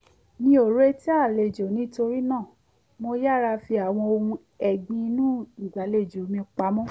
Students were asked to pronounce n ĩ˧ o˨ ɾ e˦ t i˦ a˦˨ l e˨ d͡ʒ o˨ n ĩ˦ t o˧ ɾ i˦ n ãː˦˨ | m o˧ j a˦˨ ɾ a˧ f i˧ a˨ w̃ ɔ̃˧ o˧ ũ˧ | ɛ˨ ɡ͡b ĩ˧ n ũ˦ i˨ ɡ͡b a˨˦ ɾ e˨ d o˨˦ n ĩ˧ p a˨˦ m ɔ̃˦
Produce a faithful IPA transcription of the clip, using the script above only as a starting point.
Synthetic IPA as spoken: n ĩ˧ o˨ ɾ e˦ t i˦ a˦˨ l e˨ d͡ʒ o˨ n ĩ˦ t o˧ ɾ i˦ n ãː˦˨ | m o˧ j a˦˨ ɾ a˧ f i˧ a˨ w̃ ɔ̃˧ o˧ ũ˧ | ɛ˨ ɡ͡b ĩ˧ n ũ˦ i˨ ɡ͡b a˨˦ l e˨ d͡ʒ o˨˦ m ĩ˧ k͡p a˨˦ m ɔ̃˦

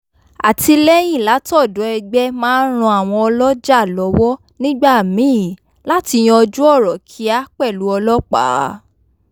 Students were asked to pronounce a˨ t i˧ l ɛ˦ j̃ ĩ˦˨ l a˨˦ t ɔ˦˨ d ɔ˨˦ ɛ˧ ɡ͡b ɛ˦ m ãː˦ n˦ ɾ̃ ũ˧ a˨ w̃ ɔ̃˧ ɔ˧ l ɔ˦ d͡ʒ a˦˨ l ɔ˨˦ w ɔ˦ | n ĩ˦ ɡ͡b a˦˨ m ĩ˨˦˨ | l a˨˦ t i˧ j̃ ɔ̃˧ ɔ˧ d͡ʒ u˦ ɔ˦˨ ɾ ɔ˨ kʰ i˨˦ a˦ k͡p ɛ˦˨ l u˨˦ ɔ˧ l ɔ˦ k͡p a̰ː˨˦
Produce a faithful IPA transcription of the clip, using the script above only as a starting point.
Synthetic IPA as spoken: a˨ t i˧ l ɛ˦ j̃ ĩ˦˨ l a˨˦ t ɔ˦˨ d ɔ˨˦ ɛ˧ ɡ͡b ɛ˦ m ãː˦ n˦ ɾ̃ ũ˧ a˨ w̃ ɔ̃˧ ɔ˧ l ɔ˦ d͡ʒ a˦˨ l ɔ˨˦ w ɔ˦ | n ĩ˦ ɡ͡b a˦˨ m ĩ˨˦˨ | l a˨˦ t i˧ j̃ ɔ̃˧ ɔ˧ d͡ʒ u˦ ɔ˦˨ ɾ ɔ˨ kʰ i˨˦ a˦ k͡p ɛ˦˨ l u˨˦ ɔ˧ l ɔ˦ k͡p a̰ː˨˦

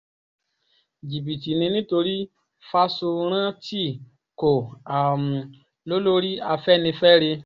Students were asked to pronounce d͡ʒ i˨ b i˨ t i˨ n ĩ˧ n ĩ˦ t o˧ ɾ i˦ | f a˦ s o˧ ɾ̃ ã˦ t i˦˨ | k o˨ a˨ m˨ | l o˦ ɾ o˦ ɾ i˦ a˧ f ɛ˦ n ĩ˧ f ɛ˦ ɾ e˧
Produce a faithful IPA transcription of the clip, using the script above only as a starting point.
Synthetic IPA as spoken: d͡ʒ i˨ b i˨ t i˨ n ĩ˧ n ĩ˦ t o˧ ɾ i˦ | f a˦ s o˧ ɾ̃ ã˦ t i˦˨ | k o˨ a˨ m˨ | l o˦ l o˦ ɾ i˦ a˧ f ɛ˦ n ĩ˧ f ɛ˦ ɾ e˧

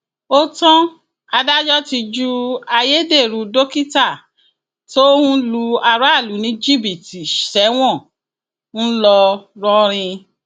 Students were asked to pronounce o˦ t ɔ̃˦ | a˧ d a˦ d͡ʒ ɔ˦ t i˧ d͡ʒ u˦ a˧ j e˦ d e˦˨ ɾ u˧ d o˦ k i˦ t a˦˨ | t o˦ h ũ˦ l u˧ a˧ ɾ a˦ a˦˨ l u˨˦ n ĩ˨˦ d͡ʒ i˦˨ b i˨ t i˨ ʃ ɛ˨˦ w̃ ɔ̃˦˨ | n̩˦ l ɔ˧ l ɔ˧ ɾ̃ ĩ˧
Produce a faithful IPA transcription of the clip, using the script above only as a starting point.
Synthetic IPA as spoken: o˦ t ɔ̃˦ | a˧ d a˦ d͡ʒ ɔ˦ t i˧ d͡ʒ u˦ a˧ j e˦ d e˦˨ ɾ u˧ d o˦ k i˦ t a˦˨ | t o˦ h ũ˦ l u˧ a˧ ɾ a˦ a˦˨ l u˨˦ n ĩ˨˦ d͡ʒ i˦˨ b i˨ t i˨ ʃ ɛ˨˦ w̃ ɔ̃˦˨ | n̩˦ l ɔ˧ ɾ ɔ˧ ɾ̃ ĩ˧

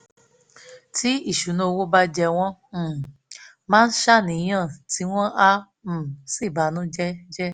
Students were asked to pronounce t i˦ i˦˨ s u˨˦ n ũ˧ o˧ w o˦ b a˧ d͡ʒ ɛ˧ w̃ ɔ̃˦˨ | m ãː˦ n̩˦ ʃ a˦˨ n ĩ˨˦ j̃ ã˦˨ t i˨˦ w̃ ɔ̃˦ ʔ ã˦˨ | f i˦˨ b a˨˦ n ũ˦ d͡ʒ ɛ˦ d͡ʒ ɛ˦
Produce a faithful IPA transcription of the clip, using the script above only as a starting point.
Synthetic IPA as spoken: t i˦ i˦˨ ʃ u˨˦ n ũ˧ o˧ w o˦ b a˧ d͡ʒ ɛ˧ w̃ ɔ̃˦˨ | m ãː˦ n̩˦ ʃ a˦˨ n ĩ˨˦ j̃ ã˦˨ t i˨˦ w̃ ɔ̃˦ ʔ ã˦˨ | s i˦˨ b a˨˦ n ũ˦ d͡ʒ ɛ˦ d͡ʒ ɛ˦

